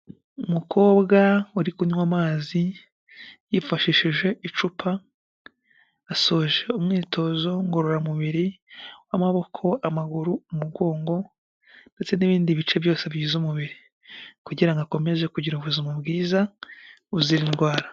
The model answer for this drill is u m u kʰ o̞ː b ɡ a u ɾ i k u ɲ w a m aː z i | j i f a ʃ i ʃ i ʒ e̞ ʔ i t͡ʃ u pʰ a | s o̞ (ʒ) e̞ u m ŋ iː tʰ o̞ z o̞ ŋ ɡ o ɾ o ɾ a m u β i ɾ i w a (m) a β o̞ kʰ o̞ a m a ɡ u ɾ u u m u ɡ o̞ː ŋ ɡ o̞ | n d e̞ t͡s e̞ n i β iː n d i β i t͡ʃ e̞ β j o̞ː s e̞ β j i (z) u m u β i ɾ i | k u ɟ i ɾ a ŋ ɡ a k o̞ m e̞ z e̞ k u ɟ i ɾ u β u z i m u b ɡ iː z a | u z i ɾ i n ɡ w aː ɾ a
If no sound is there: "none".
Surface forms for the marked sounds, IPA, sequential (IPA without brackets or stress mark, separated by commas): ʒ, m, z